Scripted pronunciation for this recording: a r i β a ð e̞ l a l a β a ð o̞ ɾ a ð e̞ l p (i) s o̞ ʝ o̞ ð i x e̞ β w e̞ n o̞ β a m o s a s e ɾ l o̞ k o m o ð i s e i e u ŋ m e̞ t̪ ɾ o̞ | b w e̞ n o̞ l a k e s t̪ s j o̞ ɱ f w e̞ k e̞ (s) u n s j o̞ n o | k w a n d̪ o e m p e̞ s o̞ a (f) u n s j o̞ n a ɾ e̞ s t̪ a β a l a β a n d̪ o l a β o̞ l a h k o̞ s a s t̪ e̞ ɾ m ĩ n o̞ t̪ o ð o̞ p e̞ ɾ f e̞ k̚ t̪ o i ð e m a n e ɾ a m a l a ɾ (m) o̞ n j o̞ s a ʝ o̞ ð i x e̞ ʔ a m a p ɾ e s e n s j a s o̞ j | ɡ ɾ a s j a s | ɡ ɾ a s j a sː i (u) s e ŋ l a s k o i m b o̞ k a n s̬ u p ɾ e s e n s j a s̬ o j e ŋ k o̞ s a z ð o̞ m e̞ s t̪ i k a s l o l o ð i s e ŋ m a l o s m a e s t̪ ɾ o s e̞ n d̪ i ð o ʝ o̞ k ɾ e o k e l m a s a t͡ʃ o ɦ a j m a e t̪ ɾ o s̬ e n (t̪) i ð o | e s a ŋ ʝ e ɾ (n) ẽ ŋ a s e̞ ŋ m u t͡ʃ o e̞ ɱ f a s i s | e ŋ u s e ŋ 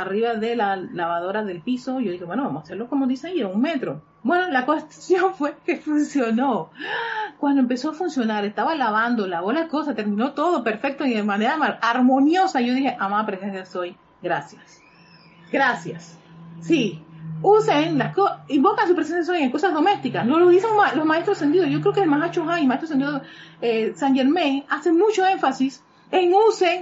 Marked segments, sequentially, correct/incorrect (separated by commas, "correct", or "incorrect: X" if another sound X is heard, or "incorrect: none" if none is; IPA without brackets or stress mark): correct, incorrect: f, correct, correct, correct, incorrect: d̪, incorrect: m